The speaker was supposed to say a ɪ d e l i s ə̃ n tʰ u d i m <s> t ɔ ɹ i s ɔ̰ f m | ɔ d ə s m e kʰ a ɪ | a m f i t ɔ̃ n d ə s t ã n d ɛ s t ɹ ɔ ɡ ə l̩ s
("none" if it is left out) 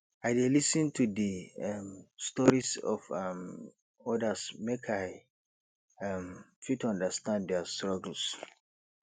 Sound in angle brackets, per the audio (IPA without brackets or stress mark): s